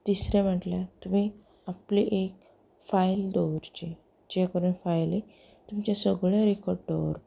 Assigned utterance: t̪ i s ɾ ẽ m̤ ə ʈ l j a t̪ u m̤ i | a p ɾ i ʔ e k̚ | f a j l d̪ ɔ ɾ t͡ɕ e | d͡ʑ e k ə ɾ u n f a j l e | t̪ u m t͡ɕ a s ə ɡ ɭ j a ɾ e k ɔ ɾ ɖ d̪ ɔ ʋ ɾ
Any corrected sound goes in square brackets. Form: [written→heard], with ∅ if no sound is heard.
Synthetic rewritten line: t̪ i s ɾ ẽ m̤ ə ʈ l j a t̪ u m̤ i | a p [ɾ→l] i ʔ e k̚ | f a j l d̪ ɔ ɾ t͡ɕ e | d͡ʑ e k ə ɾ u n f a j l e | t̪ u m t͡ɕ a s ə ɡ ɭ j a ɾ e k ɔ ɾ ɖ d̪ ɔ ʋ ɾ